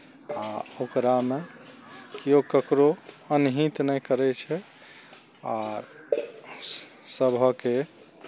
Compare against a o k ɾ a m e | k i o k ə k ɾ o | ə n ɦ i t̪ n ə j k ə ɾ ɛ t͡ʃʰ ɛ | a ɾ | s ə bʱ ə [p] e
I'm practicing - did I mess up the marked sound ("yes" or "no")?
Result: yes